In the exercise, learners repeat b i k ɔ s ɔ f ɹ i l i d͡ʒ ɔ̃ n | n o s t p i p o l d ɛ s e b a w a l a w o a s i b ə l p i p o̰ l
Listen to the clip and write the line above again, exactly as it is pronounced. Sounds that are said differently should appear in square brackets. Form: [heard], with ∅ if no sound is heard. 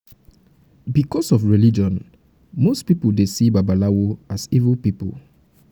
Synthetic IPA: b i k ɔ s ɔ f ɹ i l i d͡ʒ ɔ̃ n | [m] o s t p i p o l d [e] s [i] b a [b] a l a w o a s i [v] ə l p i p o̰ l

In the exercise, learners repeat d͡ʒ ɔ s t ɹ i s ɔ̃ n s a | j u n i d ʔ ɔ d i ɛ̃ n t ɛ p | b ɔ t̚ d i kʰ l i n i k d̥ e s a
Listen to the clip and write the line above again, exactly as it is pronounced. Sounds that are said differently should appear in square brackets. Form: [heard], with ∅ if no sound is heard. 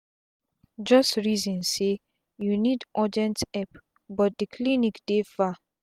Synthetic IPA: d͡ʒ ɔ s t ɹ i [z] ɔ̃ n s [e] | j u n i d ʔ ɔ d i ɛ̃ n t ɛ p | b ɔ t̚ d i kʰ l i n i k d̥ e [f] a

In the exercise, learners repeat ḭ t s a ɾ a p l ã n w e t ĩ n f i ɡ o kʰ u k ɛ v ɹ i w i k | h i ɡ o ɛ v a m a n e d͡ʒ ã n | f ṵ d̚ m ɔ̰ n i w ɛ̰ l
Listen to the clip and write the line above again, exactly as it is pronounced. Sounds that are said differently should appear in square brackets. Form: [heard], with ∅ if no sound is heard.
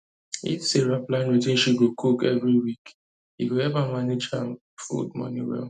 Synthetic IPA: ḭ t s [e] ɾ a p l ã n w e t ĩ n [ʃ] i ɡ o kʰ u k ɛ v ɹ i w i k | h i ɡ o ɛ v a m a n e d͡ʒ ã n | f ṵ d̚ m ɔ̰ n i w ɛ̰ l

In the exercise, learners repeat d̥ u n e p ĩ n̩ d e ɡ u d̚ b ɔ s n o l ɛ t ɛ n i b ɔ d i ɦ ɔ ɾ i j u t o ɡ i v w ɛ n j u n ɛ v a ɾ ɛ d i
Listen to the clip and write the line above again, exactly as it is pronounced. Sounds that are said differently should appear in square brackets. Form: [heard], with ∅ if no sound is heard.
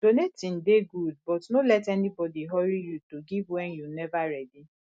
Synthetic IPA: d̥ [o] n e [t] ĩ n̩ d e ɡ u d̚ b ɔ [t] n o l ɛ t ɛ n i b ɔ d i ɦ ɔ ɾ i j u t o ɡ i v w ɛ n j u n ɛ v a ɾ ɛ d i

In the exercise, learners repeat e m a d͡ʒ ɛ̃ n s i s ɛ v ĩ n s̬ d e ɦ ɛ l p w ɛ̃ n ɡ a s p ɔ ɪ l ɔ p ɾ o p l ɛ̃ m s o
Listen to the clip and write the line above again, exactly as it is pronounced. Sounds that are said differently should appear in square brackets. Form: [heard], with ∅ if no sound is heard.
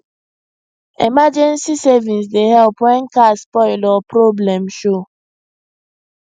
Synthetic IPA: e m a d͡ʒ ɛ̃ n s i s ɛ v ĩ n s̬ d e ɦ ɛ l p w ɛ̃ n [k] a s p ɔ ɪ l ɔ p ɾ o [b] l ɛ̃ m [ʃ] o

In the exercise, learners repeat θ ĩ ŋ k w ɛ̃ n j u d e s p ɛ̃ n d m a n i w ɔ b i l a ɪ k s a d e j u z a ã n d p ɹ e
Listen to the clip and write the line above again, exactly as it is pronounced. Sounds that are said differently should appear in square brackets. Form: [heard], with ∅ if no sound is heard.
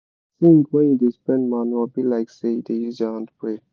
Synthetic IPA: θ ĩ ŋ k w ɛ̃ n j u d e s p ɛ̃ n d m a n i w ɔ b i l a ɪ k s [e] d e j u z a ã n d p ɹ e

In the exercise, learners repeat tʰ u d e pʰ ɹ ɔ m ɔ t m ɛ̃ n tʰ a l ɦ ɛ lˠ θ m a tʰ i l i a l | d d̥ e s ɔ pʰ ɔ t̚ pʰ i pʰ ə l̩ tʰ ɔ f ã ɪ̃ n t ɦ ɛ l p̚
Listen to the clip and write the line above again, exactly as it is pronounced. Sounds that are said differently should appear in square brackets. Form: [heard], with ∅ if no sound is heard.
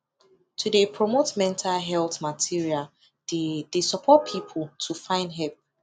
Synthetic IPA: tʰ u d e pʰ ɹ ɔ m [o] t m ɛ̃ n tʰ a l ɦ ɛ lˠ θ m a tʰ i [ɹ] i a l | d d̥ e s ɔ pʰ ɔ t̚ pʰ i pʰ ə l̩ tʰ [u] f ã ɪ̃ n [d] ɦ ɛ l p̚

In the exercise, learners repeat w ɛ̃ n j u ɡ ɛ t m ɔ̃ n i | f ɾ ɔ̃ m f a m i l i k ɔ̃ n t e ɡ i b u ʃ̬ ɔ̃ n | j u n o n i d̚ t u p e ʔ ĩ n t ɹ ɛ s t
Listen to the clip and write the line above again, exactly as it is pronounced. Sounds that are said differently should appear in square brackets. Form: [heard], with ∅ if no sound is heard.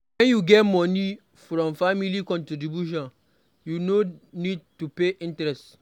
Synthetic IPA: w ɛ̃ n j u ɡ ɛ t m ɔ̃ n i | f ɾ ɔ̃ m f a m i l i k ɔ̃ n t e [d] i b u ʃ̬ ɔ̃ n | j u n o n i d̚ t u p e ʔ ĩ n t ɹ ɛ s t

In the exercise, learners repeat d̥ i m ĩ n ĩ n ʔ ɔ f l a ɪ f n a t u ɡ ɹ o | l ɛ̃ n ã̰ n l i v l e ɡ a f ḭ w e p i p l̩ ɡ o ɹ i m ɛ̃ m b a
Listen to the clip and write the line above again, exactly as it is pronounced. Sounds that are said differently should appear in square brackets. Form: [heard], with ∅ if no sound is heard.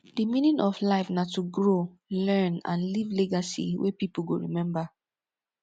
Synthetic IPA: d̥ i m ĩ n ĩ n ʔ ɔ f l a ɪ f n a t u ɡ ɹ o | l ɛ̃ n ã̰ n l i v l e ɡ a [s] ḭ w e p i p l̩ ɡ o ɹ i m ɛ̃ m b a

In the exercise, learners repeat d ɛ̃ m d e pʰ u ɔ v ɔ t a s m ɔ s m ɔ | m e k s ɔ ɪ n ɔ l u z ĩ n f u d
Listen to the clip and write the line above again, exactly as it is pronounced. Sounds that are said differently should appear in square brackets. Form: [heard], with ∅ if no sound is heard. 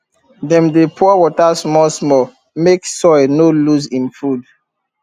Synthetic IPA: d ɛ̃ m d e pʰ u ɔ [w] ɔ t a s m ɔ s m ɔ | m e k s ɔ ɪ n [o] l u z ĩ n f u d

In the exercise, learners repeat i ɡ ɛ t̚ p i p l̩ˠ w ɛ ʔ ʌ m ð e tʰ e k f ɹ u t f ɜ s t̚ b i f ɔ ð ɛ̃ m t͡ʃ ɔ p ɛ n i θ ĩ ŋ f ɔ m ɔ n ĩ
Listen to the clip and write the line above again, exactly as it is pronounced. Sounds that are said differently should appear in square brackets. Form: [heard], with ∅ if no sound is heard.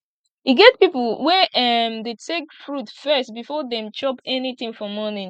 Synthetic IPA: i ɡ ɛ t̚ p i p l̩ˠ w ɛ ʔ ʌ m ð e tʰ e k f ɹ u t f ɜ s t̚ b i f ɔ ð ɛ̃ m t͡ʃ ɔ p ɛ n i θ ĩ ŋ f ɔ m ɔ n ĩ

